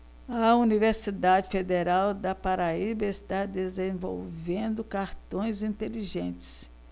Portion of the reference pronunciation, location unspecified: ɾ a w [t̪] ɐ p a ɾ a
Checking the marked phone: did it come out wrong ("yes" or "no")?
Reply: yes